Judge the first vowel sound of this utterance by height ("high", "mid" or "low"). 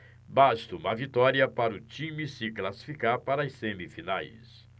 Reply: low